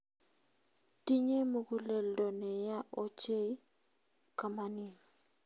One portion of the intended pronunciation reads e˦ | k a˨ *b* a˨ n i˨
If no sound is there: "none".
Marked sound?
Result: m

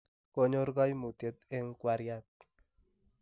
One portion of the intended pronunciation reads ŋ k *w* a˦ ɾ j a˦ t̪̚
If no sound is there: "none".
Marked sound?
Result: w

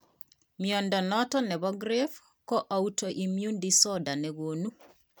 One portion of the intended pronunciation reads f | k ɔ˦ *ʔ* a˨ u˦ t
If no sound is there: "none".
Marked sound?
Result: ʔ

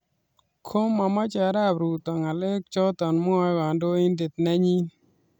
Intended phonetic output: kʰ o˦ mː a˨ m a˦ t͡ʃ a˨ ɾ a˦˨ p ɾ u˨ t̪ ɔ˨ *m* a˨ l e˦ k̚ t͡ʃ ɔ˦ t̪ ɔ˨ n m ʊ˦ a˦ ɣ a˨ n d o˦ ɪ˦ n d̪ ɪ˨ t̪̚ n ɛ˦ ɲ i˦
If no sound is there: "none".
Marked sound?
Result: ŋ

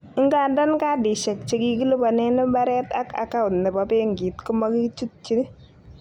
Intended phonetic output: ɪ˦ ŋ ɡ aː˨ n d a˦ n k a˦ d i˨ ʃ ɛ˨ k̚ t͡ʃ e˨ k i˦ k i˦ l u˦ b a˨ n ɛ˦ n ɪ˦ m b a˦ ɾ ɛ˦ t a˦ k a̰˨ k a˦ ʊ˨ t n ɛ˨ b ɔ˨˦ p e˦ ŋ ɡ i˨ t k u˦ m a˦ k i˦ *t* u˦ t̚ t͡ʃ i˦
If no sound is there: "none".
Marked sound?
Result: t͡ʃ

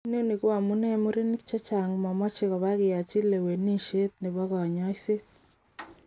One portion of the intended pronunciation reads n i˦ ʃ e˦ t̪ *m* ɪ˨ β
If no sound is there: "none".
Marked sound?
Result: n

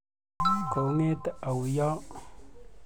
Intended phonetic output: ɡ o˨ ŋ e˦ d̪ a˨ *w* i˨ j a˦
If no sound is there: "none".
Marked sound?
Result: w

